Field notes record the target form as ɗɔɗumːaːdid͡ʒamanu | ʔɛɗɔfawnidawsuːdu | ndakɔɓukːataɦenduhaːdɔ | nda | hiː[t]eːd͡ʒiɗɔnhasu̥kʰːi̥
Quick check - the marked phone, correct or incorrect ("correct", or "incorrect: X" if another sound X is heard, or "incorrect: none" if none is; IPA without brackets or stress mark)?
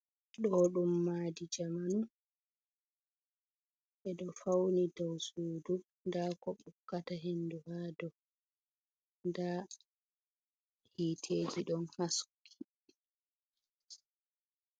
incorrect: tʰ